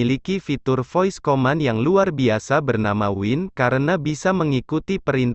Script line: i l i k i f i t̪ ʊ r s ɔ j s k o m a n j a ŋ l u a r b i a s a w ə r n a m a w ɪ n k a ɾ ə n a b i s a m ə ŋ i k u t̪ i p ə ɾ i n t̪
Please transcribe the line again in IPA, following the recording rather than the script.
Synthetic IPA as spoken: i l i k i f i t̪ ʊ r f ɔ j s k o m a n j a ŋ l u a r b i a s a b ə r n a m a w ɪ n k a ɾ ə n a b i s a m ə ŋ i k u t̪ i p ə ɾ i n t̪